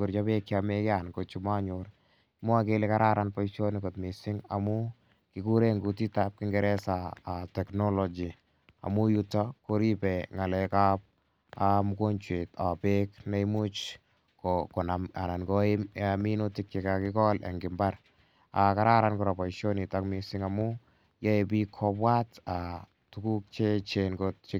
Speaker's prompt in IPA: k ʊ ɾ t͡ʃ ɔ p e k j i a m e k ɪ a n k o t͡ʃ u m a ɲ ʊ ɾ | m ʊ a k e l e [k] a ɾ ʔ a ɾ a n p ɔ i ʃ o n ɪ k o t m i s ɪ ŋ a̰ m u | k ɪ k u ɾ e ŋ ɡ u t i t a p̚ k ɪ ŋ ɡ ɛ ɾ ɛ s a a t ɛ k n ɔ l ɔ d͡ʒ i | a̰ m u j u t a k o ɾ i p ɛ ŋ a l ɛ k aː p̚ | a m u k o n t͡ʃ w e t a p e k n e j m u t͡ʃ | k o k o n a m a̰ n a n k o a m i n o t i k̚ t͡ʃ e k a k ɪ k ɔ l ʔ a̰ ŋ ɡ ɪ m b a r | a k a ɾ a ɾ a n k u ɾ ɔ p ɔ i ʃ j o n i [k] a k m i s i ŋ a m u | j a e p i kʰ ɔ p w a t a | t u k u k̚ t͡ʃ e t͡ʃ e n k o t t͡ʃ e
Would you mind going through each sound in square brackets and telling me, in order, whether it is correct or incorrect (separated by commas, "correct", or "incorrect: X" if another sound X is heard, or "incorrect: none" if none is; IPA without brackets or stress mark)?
correct, incorrect: t